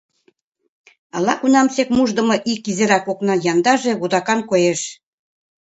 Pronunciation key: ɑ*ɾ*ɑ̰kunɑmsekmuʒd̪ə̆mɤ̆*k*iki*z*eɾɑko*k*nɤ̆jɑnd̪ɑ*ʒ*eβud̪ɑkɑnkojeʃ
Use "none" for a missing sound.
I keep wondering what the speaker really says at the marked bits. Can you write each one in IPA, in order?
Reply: l, ʔ, z, k, ʒ

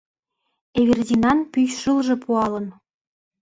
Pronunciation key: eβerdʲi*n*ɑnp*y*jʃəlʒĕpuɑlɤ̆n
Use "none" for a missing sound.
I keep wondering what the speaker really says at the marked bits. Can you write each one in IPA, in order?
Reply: n, y

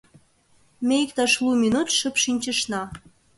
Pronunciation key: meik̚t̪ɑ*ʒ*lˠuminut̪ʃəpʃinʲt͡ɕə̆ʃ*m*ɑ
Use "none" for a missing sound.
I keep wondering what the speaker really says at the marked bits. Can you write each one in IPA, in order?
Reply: ʃ, n

